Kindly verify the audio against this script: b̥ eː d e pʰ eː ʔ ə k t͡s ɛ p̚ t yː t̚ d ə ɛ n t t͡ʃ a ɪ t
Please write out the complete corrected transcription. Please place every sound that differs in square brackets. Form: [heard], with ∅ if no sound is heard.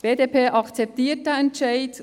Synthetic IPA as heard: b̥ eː d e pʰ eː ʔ [ɑ] k t͡s ɛ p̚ t [iː] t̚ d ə ɛ n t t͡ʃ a ɪ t